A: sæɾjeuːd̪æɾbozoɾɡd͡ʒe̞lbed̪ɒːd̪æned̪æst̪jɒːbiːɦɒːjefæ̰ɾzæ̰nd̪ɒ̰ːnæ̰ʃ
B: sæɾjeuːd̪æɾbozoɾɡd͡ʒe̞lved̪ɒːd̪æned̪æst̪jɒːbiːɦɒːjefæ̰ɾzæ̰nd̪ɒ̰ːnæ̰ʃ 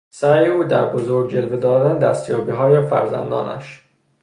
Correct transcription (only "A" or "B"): B